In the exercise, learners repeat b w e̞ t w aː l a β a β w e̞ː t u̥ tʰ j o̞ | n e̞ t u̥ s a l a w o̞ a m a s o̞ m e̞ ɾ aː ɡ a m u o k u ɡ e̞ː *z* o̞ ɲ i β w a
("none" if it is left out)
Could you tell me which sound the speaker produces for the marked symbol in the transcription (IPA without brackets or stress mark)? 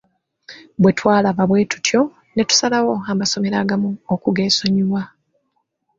s